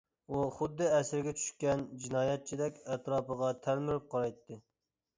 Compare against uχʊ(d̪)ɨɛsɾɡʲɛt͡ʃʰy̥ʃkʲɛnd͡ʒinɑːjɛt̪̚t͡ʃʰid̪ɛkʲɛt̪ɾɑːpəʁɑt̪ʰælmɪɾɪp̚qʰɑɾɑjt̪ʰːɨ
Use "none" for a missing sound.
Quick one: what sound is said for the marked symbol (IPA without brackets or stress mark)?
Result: d̪ː